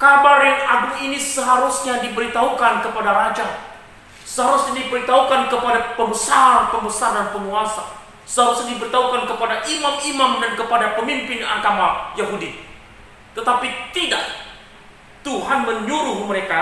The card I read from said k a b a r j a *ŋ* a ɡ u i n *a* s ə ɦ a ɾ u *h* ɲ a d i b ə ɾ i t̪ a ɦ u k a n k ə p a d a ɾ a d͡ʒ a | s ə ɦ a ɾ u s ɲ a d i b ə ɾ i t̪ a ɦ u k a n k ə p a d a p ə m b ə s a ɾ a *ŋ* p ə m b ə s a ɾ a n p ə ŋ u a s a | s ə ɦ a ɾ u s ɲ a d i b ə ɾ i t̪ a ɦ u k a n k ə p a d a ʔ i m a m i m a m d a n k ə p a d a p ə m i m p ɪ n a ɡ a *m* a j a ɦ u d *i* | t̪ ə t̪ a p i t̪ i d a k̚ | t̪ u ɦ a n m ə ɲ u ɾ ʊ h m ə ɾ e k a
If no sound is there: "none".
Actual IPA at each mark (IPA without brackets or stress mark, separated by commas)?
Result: ŋ, i, s, n, m, i